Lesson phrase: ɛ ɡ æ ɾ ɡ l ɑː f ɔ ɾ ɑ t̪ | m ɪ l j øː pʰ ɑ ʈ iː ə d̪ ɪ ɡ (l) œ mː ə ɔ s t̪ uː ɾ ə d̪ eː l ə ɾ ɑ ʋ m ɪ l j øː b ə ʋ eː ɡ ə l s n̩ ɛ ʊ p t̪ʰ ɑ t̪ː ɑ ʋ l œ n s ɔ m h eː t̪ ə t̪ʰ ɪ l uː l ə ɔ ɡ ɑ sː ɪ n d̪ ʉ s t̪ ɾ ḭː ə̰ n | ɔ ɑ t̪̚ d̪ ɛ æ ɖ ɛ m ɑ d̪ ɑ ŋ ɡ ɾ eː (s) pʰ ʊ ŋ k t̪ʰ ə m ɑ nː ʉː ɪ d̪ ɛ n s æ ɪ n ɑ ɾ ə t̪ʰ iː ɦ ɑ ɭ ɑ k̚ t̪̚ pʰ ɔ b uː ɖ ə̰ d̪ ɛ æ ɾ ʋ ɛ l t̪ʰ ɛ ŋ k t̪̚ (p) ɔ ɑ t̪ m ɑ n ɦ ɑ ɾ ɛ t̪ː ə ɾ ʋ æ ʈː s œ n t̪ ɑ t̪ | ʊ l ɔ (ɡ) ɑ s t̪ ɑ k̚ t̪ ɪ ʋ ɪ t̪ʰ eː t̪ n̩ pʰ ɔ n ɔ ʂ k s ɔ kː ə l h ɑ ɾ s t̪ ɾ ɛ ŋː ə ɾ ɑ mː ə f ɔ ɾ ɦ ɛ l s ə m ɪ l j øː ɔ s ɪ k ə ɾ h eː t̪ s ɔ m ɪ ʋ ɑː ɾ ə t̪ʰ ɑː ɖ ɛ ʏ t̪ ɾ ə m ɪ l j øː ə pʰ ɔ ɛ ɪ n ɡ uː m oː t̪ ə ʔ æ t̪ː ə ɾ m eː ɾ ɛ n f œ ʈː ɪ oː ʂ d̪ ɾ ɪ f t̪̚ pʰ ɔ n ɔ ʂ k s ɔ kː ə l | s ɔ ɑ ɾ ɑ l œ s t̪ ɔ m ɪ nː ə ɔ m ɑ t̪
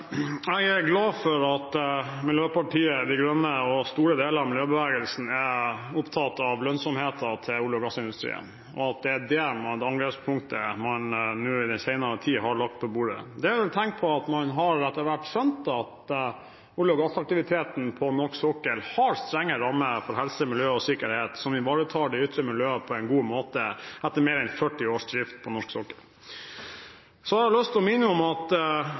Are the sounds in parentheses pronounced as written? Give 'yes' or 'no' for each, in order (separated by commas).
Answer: no, yes, no, yes